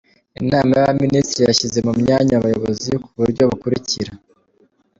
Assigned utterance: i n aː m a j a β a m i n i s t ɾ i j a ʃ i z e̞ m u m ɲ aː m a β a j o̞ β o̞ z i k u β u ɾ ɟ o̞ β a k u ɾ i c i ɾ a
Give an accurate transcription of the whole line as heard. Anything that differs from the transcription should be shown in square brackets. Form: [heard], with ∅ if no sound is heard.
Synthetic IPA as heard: i n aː m a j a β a m i n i s t ɾ i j a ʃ i z e̞ m u m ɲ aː [ɲ] a β a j o̞ β o̞ z i k u β u ɾ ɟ o̞ β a k u ɾ i c i ɾ a